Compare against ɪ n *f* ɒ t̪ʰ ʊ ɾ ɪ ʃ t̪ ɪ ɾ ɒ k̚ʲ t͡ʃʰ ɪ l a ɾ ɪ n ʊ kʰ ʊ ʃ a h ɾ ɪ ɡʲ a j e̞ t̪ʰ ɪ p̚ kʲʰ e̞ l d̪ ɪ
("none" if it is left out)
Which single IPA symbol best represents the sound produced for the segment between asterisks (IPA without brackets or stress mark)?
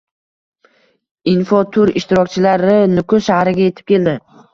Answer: f